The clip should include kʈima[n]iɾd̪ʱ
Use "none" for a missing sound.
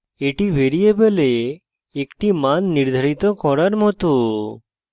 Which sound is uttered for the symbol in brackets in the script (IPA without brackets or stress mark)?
nː